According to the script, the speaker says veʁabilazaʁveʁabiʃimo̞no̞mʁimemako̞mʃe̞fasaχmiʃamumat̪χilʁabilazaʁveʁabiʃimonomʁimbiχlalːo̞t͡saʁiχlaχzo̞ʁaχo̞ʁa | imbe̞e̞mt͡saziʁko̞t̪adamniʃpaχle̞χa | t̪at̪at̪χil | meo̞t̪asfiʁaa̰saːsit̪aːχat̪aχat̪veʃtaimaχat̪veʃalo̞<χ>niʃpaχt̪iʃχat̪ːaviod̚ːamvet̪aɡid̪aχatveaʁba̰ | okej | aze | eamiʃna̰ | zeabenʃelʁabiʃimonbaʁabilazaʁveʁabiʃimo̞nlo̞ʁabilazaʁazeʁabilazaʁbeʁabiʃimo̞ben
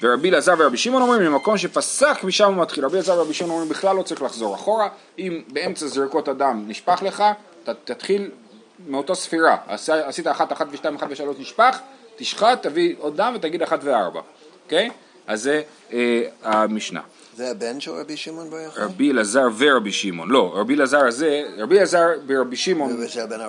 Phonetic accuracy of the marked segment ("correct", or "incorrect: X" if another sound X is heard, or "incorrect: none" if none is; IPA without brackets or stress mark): incorrect: ʃ